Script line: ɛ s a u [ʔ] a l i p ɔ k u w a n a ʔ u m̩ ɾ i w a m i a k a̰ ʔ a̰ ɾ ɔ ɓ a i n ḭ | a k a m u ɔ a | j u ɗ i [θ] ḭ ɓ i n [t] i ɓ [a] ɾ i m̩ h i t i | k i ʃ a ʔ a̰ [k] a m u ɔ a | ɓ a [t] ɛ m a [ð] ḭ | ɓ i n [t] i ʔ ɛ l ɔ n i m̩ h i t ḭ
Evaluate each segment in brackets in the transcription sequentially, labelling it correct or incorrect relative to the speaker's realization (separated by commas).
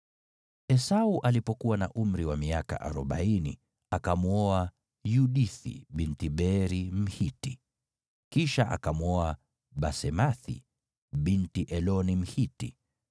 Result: correct, correct, correct, incorrect, correct, incorrect, incorrect, correct